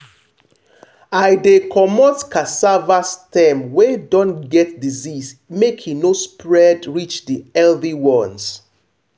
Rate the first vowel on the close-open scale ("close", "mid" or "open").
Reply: open